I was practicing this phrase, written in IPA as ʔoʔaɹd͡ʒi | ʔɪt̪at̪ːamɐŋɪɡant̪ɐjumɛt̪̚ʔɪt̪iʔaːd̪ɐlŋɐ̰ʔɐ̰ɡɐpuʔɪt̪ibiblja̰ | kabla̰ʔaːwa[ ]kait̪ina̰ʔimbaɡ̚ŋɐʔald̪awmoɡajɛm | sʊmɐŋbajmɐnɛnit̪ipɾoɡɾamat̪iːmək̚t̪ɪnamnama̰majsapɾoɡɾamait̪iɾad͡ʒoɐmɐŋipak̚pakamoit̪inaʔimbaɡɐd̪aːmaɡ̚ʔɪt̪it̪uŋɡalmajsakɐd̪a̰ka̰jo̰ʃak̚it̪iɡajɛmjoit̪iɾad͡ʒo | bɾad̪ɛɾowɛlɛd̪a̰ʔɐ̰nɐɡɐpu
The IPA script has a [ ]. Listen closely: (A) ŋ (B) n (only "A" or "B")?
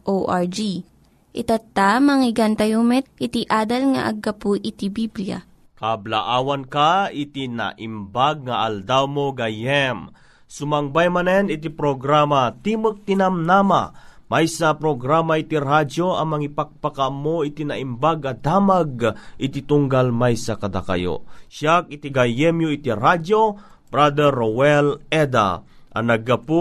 B